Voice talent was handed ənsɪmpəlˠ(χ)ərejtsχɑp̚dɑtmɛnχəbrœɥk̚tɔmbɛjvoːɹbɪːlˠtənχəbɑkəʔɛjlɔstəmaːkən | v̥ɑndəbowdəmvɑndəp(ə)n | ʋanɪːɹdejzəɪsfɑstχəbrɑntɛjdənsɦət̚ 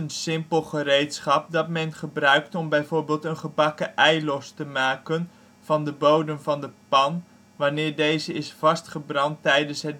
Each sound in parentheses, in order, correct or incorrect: correct, incorrect: ɑ

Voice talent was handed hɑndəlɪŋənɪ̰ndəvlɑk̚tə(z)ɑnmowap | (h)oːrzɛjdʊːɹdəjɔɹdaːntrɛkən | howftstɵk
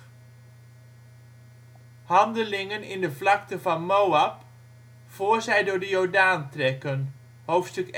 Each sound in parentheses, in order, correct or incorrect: incorrect: v, incorrect: f

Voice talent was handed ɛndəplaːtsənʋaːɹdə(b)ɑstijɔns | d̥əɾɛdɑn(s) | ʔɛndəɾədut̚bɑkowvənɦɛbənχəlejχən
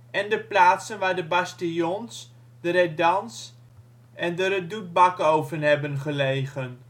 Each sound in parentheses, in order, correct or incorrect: correct, correct

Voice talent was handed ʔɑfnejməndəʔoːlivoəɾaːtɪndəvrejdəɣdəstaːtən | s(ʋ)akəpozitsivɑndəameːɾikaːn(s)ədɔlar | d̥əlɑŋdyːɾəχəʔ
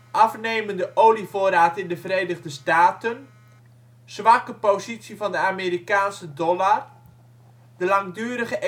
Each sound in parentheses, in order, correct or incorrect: correct, correct

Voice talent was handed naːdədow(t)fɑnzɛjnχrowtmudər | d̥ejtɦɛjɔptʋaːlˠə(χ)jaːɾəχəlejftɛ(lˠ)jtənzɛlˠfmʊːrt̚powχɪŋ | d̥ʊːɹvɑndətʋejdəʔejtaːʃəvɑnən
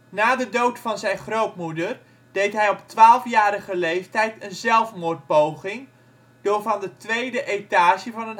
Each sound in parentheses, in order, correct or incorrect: correct, incorrect: f, incorrect: none

